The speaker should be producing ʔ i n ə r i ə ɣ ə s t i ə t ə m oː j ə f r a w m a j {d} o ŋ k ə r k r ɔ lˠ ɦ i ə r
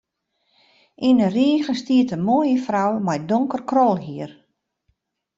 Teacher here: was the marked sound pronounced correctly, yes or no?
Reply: yes